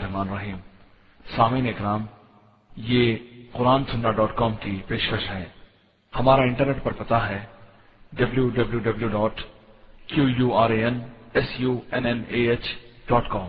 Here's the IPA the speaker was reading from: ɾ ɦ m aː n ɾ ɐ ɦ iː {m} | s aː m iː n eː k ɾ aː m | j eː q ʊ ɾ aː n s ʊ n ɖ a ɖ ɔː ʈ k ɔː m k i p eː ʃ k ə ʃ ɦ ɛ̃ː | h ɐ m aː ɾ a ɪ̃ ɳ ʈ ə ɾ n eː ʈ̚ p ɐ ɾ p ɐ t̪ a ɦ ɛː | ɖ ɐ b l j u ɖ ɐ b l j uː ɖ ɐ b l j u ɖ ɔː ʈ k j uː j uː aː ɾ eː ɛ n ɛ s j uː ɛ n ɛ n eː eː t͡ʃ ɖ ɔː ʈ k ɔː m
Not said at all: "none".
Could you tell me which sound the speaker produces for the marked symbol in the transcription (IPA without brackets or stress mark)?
m